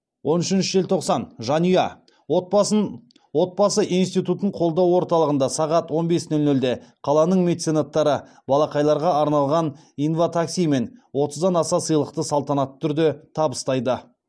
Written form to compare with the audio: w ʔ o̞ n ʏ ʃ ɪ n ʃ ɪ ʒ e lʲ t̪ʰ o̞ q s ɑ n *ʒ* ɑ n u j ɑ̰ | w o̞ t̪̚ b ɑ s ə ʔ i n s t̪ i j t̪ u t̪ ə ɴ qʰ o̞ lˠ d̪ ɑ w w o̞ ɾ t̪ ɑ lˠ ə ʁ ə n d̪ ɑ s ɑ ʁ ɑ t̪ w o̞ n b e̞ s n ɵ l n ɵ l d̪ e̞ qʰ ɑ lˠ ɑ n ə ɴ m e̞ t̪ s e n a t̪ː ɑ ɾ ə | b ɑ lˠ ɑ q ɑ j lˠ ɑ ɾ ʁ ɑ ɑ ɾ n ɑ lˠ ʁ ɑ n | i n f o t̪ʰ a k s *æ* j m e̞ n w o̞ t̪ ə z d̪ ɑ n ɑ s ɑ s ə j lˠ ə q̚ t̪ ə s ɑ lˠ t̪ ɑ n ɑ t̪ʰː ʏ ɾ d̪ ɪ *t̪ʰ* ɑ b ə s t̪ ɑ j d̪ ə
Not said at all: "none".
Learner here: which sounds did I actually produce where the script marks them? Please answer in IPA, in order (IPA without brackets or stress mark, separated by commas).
ʒ, i, t̪ʰ